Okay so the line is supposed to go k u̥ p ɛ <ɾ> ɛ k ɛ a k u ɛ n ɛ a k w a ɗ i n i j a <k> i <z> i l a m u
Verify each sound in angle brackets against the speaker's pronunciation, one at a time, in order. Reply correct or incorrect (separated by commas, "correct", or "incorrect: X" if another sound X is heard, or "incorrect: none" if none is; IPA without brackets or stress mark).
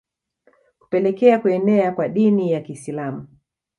incorrect: l, correct, incorrect: s